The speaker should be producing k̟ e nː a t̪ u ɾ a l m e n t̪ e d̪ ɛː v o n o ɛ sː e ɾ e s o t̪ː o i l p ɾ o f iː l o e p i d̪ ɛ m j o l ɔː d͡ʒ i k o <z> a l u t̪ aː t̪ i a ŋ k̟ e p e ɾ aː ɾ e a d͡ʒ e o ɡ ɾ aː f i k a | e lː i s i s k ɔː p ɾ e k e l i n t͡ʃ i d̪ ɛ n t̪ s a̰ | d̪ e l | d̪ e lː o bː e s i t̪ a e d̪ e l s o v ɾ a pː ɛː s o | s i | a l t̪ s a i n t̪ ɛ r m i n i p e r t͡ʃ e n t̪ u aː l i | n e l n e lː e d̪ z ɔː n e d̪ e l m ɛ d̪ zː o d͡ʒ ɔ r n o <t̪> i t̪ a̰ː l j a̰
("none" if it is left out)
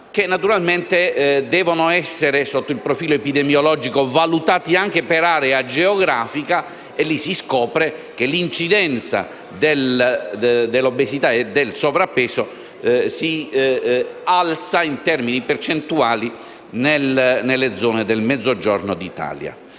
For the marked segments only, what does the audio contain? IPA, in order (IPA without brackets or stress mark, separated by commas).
v, d̪